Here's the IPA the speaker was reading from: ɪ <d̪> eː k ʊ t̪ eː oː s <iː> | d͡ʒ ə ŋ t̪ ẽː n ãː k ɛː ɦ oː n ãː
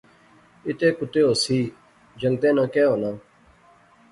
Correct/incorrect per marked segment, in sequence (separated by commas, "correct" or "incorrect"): incorrect, correct